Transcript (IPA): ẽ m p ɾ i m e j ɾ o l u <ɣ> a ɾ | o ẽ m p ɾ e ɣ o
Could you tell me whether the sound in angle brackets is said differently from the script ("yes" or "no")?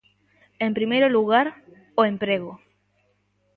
no